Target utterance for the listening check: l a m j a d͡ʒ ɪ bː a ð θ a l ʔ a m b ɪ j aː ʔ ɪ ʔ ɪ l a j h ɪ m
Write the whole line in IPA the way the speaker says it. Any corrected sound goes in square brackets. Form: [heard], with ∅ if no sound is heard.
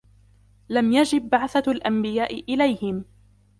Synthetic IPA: l a m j a d͡ʒ ɪ bː a [ʕ] θ a l ʔ a m b ɪ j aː ʔ ɪ ʔ ɪ l a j h ɪ m